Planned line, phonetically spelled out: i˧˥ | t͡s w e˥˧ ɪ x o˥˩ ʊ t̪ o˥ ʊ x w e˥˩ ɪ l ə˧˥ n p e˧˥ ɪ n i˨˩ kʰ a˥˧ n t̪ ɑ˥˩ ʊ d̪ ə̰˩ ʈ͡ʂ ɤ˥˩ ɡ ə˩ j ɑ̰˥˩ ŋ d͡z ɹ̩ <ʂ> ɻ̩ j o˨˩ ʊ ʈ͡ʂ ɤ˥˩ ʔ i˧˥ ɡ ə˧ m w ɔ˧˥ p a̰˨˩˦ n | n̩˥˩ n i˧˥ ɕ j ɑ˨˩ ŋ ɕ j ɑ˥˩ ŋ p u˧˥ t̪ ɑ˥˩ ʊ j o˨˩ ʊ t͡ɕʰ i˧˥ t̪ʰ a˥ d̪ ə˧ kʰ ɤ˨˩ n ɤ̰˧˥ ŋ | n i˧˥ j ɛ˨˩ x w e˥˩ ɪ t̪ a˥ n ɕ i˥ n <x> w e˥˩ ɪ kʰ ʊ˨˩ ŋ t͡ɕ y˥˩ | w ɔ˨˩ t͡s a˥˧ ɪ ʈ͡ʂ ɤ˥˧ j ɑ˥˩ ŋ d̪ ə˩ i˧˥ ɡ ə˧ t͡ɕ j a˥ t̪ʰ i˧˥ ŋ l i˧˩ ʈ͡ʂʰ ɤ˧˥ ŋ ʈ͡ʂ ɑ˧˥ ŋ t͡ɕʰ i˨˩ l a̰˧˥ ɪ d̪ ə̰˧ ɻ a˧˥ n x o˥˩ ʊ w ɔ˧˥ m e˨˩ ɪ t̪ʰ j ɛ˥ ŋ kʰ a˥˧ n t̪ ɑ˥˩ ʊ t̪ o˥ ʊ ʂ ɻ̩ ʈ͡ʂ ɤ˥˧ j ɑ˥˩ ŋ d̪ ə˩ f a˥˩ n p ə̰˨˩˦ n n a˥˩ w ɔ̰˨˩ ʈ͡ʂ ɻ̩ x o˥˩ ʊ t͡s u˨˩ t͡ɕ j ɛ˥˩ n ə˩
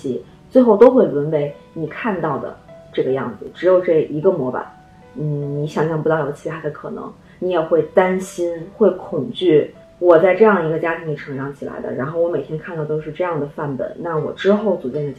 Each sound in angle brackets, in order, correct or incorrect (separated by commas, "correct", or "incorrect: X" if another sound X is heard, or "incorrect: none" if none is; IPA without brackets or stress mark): incorrect: ʈ͡ʂ, correct